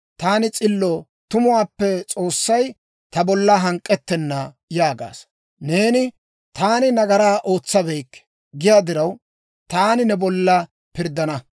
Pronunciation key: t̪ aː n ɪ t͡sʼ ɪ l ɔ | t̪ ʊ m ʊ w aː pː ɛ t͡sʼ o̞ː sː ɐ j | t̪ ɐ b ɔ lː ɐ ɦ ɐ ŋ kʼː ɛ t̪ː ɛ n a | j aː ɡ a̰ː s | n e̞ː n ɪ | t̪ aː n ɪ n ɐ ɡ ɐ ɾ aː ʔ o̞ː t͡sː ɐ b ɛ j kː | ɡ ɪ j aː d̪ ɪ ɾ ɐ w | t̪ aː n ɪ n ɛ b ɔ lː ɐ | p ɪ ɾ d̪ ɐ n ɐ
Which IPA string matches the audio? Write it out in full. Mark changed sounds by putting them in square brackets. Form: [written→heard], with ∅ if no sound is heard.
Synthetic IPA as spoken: t̪ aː n ɪ t͡sʼ ɪ [l→lː] ɔ | t̪ ʊ m ʊ w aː pː ɛ t͡sʼ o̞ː sː ɐ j | t̪ ɐ b ɔ lː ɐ ɦ ɐ ŋ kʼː ɛ t̪ː ɛ [n→nː] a | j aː ɡ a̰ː s | n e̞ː n ɪ | t̪ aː n ɪ n ɐ ɡ ɐ ɾ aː ʔ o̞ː t͡sː ɐ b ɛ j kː | ɡ ɪ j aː d̪ ɪ ɾ ɐ w | t̪ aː n ɪ n ɛ b ɔ lː ɐ | p ɪ ɾ d̪ ɐ n ɐ